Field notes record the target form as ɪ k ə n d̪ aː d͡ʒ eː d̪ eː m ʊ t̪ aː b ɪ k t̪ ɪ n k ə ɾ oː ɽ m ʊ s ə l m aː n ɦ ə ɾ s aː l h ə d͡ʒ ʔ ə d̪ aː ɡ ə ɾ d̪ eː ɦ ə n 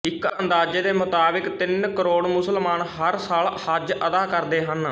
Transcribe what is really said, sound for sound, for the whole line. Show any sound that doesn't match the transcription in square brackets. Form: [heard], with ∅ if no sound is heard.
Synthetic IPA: ɪ k ə n d̪ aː d͡ʒ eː d̪ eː m ʊ t̪ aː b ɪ k t̪ ɪ n k ə ɾ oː ɽ m ʊ s ə l m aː n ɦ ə ɾ s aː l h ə d͡ʒ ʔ ə d̪ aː [k] ə ɾ d̪ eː ɦ ə n